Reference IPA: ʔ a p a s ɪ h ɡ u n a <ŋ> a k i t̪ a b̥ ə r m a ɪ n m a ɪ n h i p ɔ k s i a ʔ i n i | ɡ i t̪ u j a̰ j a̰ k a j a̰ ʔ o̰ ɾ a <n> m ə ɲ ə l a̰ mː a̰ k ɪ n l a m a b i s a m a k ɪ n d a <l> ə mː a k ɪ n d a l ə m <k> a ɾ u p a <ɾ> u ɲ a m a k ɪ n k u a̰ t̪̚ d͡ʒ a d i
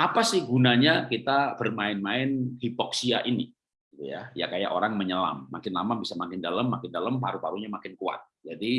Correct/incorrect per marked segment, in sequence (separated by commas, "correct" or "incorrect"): incorrect, incorrect, correct, incorrect, correct